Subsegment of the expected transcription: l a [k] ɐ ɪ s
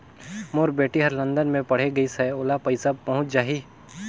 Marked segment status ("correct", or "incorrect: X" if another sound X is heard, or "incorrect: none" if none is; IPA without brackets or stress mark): incorrect: p